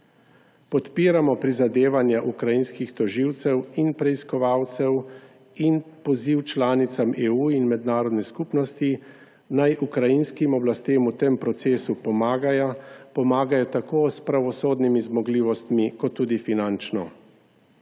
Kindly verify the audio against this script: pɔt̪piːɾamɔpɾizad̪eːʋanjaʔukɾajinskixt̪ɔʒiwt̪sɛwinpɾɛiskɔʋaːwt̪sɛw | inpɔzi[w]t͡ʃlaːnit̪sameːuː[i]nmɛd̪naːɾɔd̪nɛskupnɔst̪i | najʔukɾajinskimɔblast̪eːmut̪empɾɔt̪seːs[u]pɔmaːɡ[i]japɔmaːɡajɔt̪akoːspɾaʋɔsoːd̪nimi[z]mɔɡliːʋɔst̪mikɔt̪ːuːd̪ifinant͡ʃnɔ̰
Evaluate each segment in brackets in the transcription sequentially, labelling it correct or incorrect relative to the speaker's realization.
correct, correct, correct, incorrect, correct

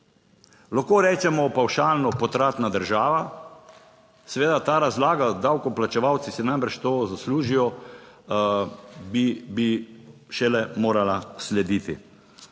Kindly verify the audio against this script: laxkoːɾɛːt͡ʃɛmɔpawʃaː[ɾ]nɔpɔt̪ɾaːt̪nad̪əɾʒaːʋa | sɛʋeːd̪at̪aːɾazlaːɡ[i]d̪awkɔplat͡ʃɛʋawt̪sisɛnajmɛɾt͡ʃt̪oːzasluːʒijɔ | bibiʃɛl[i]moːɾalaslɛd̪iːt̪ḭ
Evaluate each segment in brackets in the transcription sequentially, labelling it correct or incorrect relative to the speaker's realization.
incorrect, incorrect, incorrect

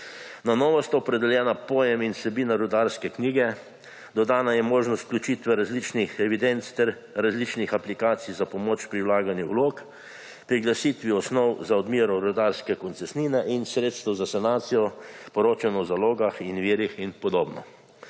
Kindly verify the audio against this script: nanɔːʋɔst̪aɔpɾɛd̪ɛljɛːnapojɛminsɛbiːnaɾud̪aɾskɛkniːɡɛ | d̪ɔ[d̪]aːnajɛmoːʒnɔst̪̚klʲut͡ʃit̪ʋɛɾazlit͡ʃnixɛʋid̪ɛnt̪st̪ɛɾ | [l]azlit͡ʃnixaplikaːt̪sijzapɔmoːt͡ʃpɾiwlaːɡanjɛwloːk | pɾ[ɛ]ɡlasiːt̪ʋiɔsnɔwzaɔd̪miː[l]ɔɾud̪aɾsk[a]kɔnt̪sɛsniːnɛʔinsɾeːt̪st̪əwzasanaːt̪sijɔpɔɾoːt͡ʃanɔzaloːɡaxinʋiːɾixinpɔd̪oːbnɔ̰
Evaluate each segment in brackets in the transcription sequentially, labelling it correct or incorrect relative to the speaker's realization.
correct, incorrect, incorrect, incorrect, incorrect

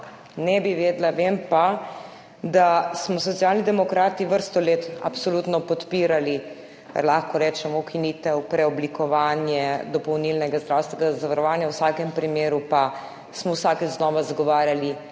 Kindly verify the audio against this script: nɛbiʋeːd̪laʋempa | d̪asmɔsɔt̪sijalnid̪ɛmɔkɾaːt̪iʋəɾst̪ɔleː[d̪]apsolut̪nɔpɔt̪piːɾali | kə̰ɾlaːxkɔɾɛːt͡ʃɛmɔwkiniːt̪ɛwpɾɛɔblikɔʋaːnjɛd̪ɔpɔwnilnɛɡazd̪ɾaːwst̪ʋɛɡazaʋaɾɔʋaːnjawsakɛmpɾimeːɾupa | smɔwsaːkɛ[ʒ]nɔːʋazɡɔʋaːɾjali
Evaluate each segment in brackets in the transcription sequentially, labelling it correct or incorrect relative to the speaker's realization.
incorrect, incorrect

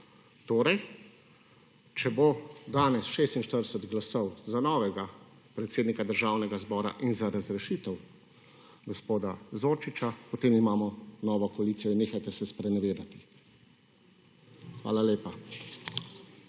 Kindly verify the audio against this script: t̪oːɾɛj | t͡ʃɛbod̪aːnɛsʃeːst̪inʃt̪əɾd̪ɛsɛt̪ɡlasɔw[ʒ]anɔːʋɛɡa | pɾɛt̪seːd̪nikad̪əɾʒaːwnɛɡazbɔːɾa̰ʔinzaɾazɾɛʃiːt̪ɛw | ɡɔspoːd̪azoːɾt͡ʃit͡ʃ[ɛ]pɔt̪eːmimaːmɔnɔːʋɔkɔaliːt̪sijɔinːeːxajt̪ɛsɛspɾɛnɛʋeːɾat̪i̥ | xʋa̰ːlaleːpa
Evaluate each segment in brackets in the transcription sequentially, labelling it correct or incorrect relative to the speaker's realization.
incorrect, incorrect

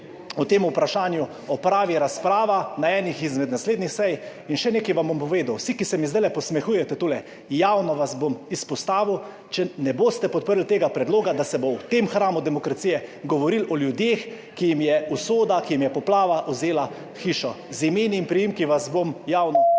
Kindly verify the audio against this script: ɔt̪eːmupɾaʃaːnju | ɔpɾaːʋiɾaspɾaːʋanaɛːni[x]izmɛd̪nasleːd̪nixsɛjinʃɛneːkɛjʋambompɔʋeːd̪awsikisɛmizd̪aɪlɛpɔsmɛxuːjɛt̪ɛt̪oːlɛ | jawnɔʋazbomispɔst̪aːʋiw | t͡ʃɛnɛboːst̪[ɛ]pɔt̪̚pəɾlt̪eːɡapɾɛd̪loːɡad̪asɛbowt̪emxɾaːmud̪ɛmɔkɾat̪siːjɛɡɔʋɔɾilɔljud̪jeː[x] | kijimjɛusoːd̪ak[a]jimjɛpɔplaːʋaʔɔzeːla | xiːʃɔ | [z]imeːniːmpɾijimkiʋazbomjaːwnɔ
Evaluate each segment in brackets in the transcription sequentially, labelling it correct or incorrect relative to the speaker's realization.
correct, correct, correct, incorrect, correct

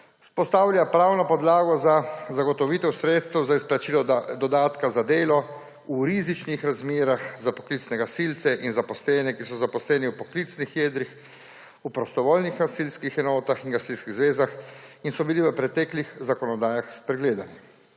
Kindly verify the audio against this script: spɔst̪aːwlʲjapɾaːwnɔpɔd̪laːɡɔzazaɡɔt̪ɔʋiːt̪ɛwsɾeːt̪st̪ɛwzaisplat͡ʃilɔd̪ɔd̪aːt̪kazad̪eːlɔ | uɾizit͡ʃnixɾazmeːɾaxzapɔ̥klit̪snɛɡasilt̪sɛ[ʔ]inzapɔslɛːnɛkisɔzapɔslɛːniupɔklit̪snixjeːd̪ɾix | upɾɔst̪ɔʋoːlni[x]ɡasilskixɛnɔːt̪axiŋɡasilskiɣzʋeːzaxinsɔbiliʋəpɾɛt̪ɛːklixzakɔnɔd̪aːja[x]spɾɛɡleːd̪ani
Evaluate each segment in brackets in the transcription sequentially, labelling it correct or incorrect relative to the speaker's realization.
correct, correct, correct

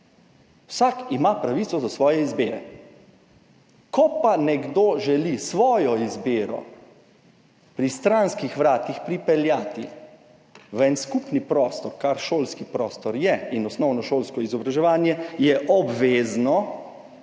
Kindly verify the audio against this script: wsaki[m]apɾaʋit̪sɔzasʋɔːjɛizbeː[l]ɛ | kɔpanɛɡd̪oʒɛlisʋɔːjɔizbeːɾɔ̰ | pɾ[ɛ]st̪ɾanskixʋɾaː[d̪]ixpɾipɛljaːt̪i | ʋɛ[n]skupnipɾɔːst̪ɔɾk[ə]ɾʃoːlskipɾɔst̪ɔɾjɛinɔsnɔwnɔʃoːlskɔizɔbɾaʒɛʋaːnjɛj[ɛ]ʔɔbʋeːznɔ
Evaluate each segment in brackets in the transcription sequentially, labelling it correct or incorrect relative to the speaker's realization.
correct, incorrect, incorrect, incorrect, correct, incorrect, correct

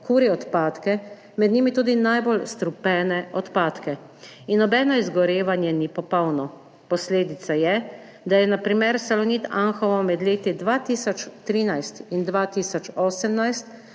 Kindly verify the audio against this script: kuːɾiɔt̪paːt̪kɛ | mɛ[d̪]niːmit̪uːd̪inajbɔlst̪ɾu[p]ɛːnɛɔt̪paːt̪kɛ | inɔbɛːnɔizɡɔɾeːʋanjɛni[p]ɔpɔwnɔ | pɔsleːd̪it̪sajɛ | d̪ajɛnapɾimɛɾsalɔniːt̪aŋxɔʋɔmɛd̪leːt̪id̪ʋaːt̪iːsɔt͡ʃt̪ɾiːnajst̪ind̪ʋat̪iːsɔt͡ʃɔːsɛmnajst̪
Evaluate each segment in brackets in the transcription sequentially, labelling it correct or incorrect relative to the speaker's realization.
correct, correct, correct

